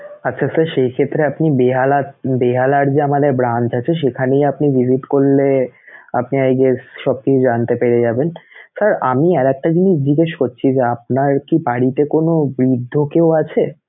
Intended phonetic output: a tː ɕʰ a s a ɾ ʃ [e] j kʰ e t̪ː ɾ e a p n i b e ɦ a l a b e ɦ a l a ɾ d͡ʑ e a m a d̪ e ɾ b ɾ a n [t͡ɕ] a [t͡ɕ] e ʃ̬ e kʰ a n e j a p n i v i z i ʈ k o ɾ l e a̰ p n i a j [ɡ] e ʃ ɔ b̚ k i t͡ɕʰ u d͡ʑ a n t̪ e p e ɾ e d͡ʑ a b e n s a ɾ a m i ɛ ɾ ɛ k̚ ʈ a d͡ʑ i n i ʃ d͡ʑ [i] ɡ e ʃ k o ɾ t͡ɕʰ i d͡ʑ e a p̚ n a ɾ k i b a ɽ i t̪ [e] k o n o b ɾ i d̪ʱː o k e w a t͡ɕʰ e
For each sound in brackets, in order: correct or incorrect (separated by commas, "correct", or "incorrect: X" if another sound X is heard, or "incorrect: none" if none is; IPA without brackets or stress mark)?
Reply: correct, correct, incorrect: t͡ɕʰ, correct, correct, correct